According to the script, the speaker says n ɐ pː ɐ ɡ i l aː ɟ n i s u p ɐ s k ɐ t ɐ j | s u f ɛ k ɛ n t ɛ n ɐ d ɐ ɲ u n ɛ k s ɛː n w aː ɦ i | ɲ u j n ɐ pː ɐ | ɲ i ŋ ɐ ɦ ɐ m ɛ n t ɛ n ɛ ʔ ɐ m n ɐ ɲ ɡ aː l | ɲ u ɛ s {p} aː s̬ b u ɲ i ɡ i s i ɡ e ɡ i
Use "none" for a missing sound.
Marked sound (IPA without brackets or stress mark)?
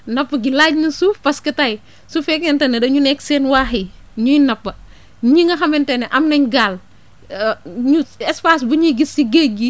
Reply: p